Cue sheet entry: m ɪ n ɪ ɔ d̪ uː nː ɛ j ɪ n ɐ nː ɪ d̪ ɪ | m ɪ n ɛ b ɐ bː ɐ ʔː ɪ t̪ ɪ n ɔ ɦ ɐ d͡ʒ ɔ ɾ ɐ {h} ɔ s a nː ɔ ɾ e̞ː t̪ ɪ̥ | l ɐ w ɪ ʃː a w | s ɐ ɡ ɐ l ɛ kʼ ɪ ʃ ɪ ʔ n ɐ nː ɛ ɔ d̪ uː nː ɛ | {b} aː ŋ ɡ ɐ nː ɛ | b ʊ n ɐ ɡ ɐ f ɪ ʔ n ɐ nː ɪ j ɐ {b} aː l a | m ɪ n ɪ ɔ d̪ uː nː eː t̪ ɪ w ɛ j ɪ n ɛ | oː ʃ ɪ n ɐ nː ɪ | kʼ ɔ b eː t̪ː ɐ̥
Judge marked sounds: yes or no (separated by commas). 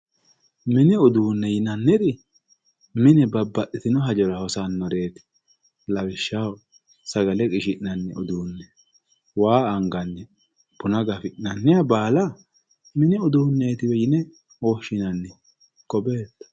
yes, no, yes